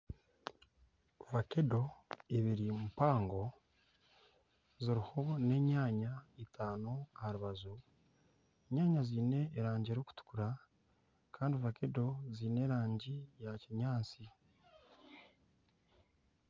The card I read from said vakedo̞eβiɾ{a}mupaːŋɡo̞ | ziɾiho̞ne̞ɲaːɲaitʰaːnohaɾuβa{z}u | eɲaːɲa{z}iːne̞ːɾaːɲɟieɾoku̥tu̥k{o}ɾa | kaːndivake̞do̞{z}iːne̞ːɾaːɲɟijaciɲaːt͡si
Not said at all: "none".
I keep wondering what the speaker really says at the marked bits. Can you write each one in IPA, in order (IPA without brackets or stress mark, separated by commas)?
i, z, z, u, z